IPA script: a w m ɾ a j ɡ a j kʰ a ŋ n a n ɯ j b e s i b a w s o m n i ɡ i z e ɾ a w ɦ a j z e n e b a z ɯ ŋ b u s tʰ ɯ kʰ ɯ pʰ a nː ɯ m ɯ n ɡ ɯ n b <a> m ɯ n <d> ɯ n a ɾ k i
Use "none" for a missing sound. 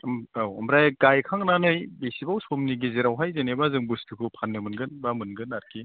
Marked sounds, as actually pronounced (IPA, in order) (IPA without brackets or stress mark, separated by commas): a, ɡ